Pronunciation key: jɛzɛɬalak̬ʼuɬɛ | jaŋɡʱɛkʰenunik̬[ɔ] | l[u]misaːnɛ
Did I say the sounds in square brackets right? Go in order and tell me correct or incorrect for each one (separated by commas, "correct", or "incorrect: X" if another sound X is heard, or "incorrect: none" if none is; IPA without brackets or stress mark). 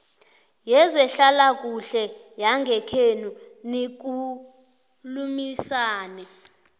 incorrect: u, correct